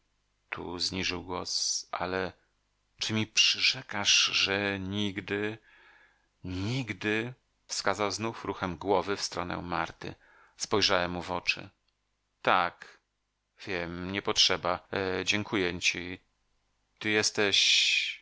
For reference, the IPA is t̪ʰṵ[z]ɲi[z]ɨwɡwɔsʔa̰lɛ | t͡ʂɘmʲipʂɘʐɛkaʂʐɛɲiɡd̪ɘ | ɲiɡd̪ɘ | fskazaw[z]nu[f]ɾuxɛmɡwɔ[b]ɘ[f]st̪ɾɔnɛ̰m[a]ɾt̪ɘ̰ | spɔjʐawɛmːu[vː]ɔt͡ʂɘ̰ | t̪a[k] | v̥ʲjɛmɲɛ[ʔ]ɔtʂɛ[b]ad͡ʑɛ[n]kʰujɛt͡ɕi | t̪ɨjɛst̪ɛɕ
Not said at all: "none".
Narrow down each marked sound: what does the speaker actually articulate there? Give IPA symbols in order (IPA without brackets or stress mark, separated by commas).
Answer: z, ʐ, z, f, v, f, a, v, k, p, b, ŋ